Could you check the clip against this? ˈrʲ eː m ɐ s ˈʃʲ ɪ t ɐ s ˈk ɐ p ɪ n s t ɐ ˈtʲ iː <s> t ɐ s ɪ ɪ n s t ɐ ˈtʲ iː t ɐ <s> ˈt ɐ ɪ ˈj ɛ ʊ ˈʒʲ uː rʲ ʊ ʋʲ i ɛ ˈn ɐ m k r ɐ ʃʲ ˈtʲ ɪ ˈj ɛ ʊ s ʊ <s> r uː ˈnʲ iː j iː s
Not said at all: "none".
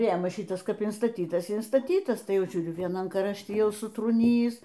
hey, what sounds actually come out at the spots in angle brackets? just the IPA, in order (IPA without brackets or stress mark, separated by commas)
none, s, t